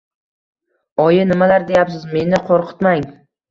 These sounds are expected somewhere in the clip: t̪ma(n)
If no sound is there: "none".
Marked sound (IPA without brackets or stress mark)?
ŋ